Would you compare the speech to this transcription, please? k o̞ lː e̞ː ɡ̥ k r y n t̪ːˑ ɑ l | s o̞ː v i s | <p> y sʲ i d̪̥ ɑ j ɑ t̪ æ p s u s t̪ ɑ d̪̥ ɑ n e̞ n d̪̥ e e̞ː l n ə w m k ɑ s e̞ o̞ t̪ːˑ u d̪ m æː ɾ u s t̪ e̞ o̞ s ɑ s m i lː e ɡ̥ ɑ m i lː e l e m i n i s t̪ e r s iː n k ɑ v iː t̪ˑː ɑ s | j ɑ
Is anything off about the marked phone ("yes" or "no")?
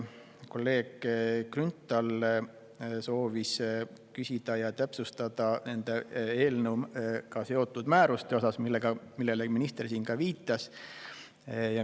yes